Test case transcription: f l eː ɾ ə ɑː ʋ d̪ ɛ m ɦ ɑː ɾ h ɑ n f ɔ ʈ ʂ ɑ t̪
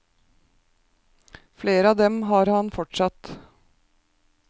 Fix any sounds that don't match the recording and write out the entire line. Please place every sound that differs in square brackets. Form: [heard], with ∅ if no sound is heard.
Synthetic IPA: f l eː ɾ ə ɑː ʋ d̪ ɛ m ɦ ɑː ɾ h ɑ n f ɔ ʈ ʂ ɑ t̪

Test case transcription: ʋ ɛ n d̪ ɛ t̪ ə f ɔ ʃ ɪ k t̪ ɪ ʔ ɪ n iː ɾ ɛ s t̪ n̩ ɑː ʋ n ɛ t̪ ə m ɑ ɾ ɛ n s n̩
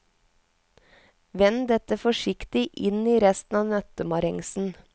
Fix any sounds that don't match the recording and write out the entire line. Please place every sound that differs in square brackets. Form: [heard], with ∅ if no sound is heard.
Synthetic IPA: ʋ ɛ n d̪ ɛ t̪ ə f ɔ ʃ ɪ k t̪ ɪ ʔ ɪ n iː ɾ ɛ s t̪ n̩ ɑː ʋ n [œ] t̪ ə m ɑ ɾ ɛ [ŋ] s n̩

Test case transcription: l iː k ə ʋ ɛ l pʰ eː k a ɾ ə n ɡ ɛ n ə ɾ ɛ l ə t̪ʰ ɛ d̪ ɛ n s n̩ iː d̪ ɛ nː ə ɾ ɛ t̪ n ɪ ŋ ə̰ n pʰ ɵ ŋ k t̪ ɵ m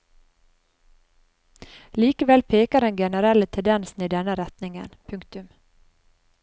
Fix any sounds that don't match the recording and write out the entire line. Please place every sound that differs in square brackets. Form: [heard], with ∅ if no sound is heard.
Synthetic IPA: l iː k ə ʋ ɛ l pʰ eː k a ɾ ə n ɡ ɛ n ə ɾ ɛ l ə t̪ʰ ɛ d̪ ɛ n s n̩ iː d̪ ɛ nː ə ɾ ɛ t̪ n ɪ ŋ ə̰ n pʰ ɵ ŋ k t̪ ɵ m

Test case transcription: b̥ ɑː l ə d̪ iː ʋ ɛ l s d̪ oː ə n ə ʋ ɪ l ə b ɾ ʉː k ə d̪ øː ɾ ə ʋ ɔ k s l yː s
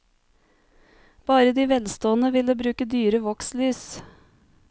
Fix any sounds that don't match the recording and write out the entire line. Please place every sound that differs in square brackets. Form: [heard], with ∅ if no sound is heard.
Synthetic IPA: b̥ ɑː [ɾ] ə d̪ iː ʋ ɛ l s [t̪] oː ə n ə ʋ ɪ l ə b ɾ ʉː k ə d̪ [yː] ɾ ə ʋ ɔ k s l yː s

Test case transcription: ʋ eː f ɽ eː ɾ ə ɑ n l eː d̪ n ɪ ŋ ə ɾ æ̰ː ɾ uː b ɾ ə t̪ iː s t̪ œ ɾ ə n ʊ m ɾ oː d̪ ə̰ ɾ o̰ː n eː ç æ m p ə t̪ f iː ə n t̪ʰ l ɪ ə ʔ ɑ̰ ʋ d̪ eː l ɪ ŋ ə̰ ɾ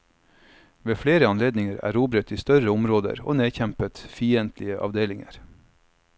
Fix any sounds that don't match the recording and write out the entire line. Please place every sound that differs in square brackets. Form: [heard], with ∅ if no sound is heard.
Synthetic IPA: ʋ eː f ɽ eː ɾ ə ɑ n l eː d̪ n ɪ ŋ ə ɾ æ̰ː ɾ uː b ɾ ə t̪ iː s t̪ œ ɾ ə [∅] ʊ m ɾ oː d̪ ə̰ ɾ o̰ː n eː ç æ m p ə t̪ f iː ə n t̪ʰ l ɪ ə ʔ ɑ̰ ʋ d̪ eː l ɪ ŋ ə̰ ɾ

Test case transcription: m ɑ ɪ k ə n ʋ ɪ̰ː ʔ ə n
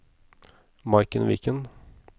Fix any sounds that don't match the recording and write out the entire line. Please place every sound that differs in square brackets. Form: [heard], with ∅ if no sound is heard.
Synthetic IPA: m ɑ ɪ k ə n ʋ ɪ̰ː [k] ə n

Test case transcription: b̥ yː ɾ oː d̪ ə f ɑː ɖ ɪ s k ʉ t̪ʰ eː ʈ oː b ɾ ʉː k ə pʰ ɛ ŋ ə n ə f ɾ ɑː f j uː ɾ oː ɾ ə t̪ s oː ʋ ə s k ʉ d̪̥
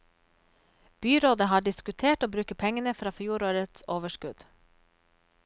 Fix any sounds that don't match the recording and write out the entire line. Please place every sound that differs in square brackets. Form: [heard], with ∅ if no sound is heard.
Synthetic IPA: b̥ yː ɾ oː d̪ ə [h] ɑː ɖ ɪ s k ʉ t̪ʰ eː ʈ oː b ɾ ʉː k ə pʰ ɛ ŋ ə n ə f ɾ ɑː f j uː ɾ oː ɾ ə t̪ s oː ʋ ə [ʃ] k ʉ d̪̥

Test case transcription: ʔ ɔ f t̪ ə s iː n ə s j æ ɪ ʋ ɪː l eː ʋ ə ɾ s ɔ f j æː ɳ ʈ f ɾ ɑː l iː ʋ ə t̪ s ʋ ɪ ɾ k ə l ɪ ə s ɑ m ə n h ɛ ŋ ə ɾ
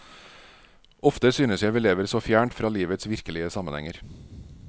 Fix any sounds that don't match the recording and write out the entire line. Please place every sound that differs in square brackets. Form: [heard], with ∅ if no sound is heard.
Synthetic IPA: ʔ ɔ f t̪ ə s [yː] n ə s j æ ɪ ʋ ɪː l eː ʋ ə ɾ s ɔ f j æː ɳ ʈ f ɾ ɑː l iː ʋ ə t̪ s ʋ ɪ ɾ k ə l ɪ ə s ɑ m ə n h ɛ ŋ ə ɾ

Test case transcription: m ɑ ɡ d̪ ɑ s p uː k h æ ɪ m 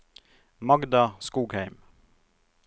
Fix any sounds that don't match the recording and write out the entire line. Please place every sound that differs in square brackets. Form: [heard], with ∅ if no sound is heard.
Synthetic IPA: m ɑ ɡ d̪ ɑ s [k] uː [ɡ] h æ ɪ m

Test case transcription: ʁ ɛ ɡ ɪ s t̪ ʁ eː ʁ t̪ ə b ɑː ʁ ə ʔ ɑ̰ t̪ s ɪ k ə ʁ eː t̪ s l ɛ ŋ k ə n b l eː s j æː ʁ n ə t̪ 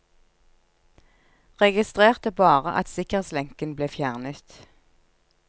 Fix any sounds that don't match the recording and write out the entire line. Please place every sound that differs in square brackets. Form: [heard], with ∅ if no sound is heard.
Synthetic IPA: ʁ ɛ ɡ ɪ s t̪ ʁ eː ʁ t̪ ə b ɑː ʁ ə ʔ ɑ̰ t̪ s ɪ k ə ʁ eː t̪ s l ɛ ŋ k ə n b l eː [f] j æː ʁ n ə t̪

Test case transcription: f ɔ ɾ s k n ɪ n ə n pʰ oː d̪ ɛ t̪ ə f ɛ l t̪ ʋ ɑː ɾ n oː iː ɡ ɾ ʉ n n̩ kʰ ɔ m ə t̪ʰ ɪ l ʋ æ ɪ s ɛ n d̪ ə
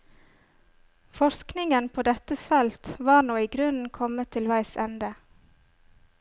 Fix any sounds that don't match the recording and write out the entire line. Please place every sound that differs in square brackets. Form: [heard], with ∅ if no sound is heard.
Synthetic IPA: f ɔ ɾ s k n ɪ [ŋ] ə n pʰ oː d̪ ɛ t̪ ə f ɛ l t̪ ʋ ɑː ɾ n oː iː ɡ ɾ ʉ n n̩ kʰ ɔ m ə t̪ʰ ɪ l ʋ æ ɪ s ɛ n d̪ ə

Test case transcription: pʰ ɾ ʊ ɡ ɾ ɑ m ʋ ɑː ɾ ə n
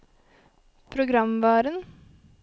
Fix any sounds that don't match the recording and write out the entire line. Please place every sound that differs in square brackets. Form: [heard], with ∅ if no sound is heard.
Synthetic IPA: pʰ ɾ ʊ ɡ ɾ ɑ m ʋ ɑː ɾ ə n

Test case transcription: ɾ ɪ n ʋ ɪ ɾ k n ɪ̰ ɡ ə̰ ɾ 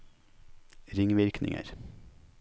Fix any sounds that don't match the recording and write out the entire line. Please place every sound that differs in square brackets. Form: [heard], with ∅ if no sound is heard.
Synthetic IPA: ɾ ɪ [ŋ] ʋ ɪ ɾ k n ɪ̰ [ŋ] ə̰ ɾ

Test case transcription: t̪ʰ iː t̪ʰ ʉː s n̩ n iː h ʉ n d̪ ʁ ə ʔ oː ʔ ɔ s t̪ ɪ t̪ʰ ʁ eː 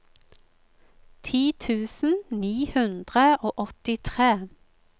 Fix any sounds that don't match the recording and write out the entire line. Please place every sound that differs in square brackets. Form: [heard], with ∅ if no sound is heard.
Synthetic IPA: t̪ʰ iː t̪ʰ ʉː s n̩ n iː h ʉ n d̪ ʁ ə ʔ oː ʔ ɔ [∅] t̪ ɪ t̪ʰ ʁ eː

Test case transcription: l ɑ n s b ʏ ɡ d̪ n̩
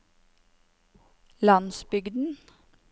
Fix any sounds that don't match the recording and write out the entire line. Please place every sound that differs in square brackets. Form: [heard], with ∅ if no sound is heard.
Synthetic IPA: l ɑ n s b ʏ ɡ d̪ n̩

